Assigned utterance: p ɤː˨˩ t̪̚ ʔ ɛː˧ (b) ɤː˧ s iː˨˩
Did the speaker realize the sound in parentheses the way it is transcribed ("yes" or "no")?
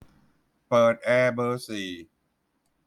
yes